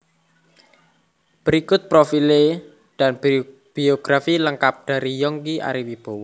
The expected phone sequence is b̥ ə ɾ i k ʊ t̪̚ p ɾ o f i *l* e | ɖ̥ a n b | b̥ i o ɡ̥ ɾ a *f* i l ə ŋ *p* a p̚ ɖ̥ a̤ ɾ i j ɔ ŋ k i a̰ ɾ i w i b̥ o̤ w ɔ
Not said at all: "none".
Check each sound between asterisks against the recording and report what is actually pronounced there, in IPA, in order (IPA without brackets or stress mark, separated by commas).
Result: l, f, k